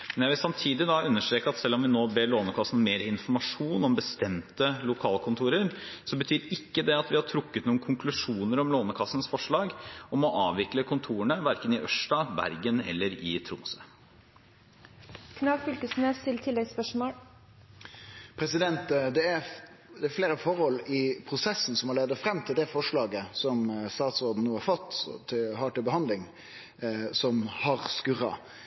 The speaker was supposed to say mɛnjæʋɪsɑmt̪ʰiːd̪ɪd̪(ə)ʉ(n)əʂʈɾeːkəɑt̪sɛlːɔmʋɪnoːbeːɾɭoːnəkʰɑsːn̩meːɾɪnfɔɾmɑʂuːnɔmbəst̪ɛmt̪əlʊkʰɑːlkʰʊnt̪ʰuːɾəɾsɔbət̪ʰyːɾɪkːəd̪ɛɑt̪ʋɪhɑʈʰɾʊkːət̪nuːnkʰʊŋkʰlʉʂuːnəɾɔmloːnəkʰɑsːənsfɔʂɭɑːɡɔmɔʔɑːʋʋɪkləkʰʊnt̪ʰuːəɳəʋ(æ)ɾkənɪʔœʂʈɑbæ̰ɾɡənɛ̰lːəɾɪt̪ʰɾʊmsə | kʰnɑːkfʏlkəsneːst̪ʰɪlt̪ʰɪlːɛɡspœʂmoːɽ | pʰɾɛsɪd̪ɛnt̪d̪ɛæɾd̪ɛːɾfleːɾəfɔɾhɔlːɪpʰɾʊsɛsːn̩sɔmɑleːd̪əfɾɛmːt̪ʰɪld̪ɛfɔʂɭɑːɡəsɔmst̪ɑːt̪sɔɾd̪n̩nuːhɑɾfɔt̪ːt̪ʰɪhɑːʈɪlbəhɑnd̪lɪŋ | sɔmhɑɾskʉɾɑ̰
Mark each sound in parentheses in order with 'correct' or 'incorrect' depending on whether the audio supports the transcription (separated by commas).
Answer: incorrect, incorrect, correct